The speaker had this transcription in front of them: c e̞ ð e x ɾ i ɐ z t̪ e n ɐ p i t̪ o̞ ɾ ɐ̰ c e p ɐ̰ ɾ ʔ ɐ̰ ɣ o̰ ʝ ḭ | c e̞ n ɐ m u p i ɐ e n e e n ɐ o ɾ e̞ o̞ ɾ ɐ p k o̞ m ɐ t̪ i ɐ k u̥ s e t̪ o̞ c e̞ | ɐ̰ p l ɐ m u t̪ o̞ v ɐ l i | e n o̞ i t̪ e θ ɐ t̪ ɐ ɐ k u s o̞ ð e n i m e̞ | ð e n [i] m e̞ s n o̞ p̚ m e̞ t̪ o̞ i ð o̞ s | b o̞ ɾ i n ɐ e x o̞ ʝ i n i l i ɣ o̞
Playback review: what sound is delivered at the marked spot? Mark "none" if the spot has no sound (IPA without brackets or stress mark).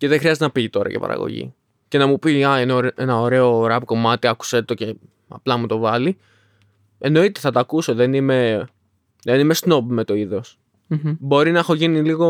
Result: i